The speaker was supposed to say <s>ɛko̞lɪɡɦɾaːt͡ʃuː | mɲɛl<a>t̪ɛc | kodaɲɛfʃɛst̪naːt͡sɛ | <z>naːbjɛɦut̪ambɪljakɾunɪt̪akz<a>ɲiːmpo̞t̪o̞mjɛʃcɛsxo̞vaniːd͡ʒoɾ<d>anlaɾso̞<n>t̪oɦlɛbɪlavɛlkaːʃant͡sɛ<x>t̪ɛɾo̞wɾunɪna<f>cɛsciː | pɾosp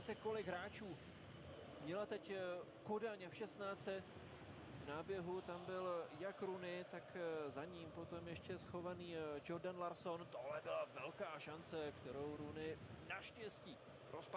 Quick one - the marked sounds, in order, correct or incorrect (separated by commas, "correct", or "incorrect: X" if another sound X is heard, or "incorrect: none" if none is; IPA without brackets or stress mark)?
correct, correct, incorrect: v, correct, correct, correct, incorrect: k, incorrect: ʃ